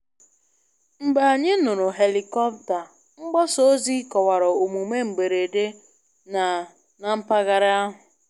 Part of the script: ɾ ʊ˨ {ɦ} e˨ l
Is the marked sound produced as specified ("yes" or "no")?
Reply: yes